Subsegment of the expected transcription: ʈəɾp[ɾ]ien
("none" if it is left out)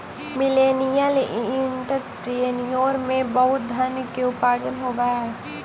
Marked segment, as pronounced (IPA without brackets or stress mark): ɾ